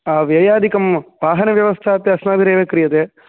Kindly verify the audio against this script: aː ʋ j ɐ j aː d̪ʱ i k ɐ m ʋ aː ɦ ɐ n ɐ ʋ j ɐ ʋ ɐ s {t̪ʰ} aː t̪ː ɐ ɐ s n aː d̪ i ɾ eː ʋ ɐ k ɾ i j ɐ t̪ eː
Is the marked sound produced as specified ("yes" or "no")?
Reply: yes